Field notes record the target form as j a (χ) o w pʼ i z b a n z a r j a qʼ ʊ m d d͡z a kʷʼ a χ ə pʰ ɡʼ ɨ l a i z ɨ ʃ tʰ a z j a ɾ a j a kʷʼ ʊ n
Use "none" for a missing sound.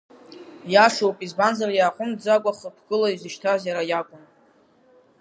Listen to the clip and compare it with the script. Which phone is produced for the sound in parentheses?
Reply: ʂ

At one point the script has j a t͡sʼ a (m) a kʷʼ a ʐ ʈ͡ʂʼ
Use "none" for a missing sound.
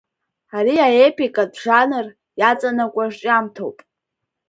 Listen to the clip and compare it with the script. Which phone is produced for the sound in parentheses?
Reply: n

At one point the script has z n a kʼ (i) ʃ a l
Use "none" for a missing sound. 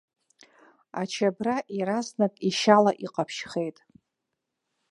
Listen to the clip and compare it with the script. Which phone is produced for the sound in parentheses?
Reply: i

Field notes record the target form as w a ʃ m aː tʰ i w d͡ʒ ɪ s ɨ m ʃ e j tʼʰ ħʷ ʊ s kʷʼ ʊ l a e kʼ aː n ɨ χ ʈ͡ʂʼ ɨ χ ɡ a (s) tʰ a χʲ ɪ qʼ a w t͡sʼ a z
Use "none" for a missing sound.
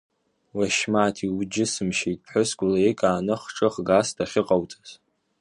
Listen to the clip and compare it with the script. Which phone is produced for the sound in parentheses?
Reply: s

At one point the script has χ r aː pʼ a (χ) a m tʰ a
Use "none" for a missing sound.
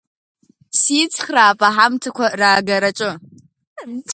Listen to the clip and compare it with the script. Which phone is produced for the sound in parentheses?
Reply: ħ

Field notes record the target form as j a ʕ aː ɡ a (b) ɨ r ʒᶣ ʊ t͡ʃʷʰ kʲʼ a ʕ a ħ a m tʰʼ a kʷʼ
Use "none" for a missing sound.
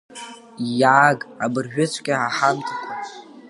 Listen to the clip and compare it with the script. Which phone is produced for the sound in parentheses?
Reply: b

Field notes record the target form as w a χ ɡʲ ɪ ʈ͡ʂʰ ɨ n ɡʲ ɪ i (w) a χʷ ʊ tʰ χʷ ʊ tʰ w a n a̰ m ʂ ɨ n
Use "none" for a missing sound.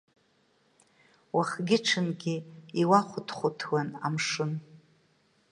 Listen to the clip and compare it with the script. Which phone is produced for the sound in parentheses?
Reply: w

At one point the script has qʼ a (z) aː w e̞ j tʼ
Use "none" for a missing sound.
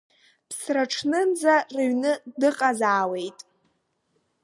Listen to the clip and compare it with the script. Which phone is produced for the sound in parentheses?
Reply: z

